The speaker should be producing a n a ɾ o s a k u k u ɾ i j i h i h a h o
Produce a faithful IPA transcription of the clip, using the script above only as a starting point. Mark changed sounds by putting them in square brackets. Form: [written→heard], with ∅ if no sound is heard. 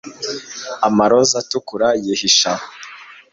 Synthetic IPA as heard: a [n→m] a ɾ o [s→z] a [k→t] u k u ɾ [i→a] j i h i [h→ʃ] a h o